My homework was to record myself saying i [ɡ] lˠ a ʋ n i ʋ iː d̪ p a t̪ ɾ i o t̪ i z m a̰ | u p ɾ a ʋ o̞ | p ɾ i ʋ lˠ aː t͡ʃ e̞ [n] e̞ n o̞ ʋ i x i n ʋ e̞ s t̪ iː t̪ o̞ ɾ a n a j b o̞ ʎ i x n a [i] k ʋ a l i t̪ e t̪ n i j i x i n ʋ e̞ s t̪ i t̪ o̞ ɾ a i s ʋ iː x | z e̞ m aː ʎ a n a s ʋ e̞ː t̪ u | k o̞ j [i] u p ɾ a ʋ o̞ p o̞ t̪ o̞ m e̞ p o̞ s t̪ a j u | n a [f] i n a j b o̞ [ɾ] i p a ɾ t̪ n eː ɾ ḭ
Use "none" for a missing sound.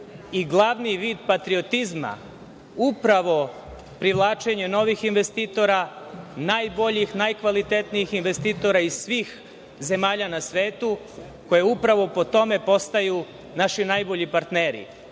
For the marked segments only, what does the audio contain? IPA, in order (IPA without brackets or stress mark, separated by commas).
ɡ, ɲ, j, e, ʃ, ʎ